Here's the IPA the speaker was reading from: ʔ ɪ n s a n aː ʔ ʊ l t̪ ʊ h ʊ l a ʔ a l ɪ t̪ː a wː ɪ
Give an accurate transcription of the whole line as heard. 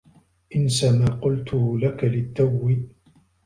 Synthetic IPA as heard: ʔ ɪ n s a m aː q ʊ l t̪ ʊ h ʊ l a k a l ɪ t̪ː a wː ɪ